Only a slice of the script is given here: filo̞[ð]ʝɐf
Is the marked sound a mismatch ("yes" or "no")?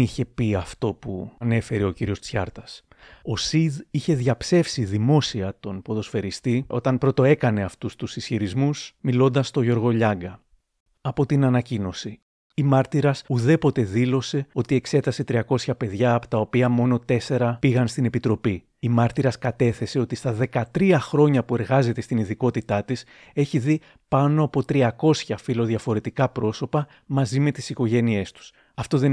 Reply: no